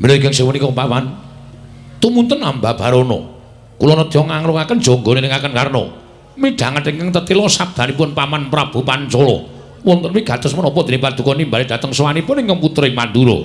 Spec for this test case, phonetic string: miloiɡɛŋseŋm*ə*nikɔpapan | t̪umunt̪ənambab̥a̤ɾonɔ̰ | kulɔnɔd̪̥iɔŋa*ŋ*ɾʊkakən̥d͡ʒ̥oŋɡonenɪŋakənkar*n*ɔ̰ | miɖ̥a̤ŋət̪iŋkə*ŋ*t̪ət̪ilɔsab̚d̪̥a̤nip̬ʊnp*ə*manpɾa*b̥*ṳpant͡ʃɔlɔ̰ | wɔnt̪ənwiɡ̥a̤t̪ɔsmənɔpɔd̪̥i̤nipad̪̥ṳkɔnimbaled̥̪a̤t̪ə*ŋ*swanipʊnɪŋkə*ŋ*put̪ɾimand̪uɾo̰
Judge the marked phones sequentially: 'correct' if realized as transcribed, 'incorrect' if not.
correct, correct, correct, correct, incorrect, correct, correct, correct

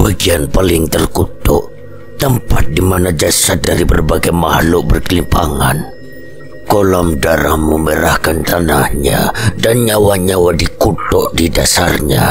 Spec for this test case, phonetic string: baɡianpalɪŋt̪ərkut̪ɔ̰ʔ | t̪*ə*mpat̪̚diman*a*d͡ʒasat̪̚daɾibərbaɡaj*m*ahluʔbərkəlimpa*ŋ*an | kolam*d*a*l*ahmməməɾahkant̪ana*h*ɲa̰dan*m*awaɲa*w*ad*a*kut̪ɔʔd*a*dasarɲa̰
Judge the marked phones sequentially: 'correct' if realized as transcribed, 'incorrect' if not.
correct, correct, correct, correct, correct, incorrect, correct, incorrect, correct, incorrect, incorrect

